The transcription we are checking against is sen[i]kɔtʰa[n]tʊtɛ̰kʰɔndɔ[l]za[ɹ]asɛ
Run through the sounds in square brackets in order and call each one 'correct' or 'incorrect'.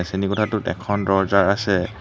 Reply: correct, incorrect: none, incorrect: ɹ, correct

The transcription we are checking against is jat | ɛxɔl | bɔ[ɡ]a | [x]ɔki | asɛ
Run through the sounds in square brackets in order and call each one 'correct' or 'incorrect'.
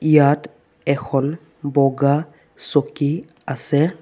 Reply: correct, incorrect: s

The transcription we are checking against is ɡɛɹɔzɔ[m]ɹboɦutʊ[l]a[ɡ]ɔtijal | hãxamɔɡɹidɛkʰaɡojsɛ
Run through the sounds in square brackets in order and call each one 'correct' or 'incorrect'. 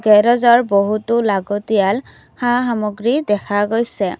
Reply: incorrect: none, correct, correct

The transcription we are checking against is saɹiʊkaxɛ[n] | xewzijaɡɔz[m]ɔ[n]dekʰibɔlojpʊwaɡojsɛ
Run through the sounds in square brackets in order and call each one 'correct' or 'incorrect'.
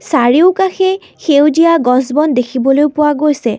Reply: incorrect: none, incorrect: b, correct

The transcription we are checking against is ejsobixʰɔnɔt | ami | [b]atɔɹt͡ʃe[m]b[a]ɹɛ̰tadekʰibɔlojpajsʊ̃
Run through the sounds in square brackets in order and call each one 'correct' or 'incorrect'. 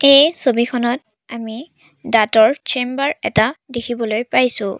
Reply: incorrect: d, correct, correct

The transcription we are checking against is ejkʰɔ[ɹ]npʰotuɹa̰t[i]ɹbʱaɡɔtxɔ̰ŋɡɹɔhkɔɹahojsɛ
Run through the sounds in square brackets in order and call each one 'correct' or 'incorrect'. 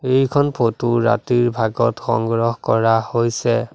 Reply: incorrect: none, correct

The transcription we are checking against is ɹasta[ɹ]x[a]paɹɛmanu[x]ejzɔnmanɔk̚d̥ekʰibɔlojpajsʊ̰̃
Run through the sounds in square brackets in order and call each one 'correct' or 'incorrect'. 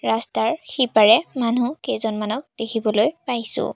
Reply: correct, incorrect: i, incorrect: k

